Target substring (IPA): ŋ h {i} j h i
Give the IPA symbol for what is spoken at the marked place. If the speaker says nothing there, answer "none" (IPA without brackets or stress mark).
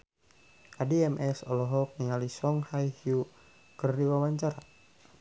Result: a